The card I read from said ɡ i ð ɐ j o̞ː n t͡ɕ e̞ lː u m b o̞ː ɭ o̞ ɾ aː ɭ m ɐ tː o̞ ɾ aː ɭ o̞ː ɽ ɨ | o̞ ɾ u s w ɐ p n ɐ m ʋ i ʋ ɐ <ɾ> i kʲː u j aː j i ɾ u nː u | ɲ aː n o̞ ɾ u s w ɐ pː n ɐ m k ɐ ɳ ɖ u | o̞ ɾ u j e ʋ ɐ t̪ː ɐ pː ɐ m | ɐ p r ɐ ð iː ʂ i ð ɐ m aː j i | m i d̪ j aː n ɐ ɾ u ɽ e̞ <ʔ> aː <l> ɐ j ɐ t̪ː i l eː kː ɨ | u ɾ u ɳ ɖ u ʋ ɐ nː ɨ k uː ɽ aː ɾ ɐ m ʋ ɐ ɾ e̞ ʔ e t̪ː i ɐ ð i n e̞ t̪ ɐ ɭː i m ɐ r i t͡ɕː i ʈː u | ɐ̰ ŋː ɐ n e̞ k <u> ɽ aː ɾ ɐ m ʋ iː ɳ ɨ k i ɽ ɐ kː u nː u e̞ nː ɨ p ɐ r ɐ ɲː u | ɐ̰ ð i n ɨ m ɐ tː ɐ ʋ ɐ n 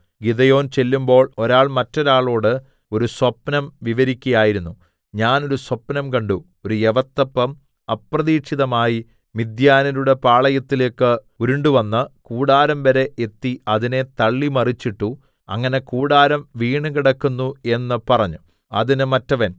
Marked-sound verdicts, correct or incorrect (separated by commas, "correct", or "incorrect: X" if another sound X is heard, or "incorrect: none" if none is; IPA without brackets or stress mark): correct, incorrect: p, incorrect: ɭ, incorrect: uː